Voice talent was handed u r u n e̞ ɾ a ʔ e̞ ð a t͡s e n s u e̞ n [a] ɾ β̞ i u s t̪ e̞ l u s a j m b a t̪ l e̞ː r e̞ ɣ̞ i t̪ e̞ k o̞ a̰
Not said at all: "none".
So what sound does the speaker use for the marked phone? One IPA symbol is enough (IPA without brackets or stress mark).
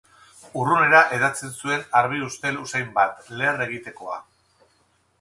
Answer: a